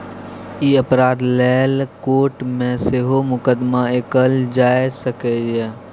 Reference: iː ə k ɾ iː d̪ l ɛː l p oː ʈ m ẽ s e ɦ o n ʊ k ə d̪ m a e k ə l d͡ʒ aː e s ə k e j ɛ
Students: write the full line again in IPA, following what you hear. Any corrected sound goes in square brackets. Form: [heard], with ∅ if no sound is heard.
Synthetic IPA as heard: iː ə [p] ɾ [aː] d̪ l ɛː l [k] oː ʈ m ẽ s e ɦ o [m] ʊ k ə d̪ m a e k ə l d͡ʒ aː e s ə k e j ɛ